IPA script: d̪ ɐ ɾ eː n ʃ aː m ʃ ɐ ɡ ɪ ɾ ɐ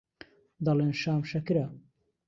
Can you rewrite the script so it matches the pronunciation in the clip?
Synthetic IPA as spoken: d̪ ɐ l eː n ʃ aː m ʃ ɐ k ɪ ɾ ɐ